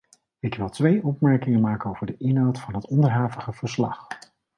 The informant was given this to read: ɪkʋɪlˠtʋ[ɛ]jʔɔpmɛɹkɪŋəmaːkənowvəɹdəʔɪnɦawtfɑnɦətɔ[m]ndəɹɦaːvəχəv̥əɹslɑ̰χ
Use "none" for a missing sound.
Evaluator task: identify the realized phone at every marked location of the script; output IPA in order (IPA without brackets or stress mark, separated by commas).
e, none